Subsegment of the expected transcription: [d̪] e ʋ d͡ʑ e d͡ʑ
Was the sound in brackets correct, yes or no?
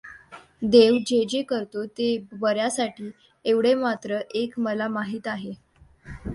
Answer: yes